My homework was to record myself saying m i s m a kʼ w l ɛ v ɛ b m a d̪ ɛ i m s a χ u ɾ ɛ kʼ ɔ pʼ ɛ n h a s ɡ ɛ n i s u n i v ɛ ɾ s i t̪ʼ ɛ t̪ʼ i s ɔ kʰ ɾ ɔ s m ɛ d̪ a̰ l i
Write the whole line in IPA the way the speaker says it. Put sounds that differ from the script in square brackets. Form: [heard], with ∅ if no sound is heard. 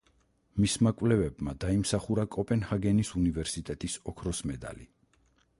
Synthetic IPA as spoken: m i s m a kʼ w l ɛ v ɛ b m a d̪ [a] i m s a χ u ɾ [a] kʼ ɔ pʼ ɛ n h a [∅] ɡ ɛ n i s u n i v ɛ ɾ s i t̪ʼ ɛ t̪ʼ i s ɔ kʰ ɾ ɔ s m ɛ d̪ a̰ l i